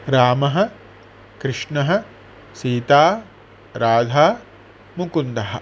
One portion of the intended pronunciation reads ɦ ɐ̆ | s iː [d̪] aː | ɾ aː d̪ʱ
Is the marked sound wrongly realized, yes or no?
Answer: yes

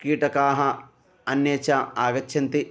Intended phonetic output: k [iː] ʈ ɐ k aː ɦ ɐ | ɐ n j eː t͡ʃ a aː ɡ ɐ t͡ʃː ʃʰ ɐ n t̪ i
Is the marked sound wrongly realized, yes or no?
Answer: no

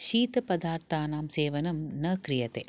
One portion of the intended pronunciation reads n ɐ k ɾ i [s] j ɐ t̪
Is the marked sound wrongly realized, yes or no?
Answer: yes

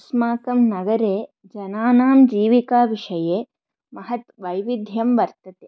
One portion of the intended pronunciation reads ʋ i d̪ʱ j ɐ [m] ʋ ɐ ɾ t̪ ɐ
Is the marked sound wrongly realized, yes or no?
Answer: no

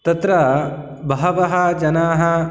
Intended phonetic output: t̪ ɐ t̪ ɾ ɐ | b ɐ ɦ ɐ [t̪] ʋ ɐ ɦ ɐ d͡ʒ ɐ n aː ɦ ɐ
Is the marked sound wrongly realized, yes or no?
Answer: yes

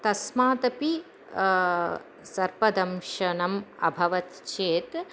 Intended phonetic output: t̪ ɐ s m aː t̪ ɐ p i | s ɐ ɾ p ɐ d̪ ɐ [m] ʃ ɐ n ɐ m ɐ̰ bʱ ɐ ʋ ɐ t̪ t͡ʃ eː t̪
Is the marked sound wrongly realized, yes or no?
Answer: no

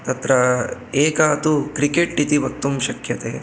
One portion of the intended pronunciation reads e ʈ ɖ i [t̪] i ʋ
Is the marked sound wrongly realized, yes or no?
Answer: no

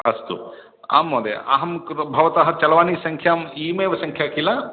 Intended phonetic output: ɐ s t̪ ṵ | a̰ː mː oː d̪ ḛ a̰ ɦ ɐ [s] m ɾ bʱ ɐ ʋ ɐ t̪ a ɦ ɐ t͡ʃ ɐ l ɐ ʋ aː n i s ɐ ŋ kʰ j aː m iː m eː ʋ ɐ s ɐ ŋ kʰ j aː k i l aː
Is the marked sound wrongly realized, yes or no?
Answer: yes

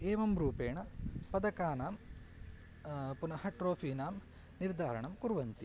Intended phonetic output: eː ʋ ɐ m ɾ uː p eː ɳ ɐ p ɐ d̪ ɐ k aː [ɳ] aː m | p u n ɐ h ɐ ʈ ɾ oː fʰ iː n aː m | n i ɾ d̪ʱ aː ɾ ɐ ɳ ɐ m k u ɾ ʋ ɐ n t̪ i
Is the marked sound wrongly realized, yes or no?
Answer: yes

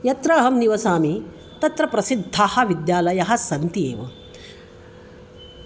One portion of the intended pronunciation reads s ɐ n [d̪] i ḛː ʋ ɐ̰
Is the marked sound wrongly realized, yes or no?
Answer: yes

